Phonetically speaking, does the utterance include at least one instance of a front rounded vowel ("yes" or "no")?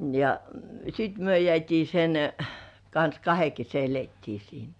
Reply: yes